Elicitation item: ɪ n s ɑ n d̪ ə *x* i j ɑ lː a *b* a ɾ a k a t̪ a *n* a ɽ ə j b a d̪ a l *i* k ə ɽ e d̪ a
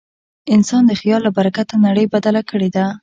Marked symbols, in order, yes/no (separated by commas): yes, yes, yes, no